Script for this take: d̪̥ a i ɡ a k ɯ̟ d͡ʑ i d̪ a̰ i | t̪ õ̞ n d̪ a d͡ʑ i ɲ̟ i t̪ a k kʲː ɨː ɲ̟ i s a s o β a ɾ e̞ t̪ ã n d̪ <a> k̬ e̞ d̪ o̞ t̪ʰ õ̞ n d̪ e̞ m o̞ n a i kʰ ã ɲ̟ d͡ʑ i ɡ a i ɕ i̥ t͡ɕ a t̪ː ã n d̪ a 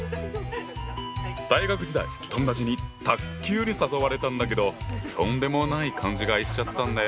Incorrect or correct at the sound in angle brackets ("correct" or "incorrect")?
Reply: correct